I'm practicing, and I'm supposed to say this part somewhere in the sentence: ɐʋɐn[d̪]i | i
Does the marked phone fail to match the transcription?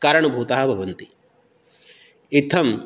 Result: yes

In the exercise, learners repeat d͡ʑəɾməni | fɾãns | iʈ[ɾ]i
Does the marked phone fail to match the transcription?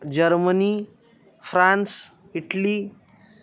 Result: yes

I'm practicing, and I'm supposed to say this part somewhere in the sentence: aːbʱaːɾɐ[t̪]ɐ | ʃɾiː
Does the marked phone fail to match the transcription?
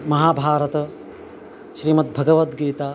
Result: no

